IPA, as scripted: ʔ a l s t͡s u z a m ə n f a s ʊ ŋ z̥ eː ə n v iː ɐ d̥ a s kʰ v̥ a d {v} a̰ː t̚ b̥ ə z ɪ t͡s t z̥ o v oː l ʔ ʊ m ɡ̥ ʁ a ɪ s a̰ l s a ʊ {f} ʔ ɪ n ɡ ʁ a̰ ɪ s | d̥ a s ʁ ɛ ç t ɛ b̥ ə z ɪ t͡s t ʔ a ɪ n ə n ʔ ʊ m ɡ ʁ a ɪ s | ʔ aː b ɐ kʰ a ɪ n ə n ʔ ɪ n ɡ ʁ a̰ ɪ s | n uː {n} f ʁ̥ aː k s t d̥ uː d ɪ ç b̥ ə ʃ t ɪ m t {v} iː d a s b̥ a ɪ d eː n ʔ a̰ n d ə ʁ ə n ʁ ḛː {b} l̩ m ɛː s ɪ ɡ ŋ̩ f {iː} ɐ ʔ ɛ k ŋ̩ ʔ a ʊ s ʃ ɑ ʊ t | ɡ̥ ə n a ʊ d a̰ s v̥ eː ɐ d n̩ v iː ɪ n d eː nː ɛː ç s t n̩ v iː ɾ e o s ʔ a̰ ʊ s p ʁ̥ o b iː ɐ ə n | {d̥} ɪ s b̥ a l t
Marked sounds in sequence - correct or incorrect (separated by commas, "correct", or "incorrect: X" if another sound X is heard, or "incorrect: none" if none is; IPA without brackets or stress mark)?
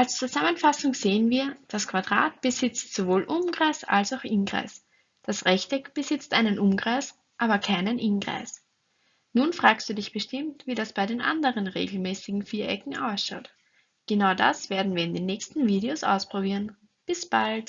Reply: incorrect: ʁ, incorrect: x, correct, correct, incorrect: ɡ, correct, incorrect: b̥